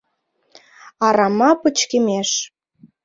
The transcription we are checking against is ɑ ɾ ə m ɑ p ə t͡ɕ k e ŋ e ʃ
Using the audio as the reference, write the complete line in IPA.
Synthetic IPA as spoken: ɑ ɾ ɑ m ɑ p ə t͡ɕ k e m e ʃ

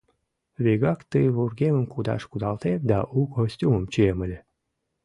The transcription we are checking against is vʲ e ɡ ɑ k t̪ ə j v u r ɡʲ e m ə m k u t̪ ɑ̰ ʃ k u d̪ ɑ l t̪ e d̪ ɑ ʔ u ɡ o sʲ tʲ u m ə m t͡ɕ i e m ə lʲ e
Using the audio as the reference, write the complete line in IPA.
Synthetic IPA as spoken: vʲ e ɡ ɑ k t̪ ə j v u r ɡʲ e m ə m k u d̪ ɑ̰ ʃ k u d̪ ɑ l t̪ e d̪ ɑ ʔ u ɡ o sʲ tʲ u m ə m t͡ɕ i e m ə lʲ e

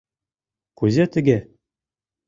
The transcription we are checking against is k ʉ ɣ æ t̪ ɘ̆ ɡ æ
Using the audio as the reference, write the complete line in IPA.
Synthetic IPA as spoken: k ʉ z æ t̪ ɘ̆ ɡ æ

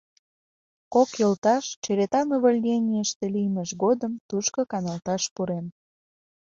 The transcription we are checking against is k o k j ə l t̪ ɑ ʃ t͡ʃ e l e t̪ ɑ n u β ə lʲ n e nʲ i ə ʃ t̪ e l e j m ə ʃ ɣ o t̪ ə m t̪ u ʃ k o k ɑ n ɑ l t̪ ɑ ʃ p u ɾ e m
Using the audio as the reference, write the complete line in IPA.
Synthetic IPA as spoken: k o k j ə l t̪ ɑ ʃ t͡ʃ e ɾ e t̪ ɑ n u β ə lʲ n e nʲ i ə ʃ t̪ e l i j m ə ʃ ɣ o d̪ ə m t̪ u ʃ k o k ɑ n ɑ l t̪ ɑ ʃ p u ɾ e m

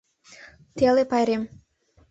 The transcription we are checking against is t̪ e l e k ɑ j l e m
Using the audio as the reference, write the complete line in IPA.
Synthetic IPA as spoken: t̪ e l e p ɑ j ɾ e m

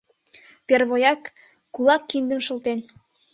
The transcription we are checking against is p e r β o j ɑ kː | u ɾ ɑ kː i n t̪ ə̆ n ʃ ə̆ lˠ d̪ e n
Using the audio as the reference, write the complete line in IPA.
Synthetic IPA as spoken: p e r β o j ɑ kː | u l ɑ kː i n d̪ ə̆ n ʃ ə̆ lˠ t̪ e n

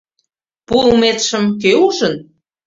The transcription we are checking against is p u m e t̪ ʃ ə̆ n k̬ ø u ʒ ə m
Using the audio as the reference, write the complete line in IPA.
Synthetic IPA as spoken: p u m e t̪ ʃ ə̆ m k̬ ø u ʒ ə n

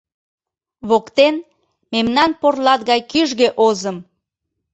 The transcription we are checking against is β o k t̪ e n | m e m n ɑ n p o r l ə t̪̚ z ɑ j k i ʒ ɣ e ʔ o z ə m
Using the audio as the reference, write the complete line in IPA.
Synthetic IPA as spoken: β o k t̪ e n | m e m n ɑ n p o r l ɑ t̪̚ ɣ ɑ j k y ʒ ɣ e ʔ o z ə m

